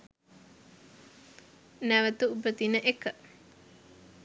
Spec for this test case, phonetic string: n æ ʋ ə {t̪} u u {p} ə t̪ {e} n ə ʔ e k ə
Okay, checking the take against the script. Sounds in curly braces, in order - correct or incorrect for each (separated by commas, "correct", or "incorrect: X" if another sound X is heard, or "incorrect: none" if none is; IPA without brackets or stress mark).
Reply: correct, incorrect: b, incorrect: i